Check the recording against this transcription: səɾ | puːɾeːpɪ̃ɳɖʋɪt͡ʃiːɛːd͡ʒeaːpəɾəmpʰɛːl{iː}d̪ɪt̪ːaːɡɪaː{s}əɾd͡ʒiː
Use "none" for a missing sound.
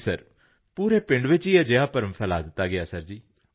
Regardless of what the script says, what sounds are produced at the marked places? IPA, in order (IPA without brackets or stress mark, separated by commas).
aː, s